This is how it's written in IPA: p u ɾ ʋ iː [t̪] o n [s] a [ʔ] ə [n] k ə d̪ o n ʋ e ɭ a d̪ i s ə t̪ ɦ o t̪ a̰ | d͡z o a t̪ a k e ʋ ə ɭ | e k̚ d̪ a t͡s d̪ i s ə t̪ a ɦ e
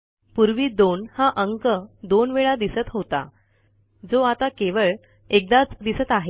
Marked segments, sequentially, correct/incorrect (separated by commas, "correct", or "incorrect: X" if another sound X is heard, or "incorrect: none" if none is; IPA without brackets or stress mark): incorrect: d̪, incorrect: h, correct, incorrect: ŋ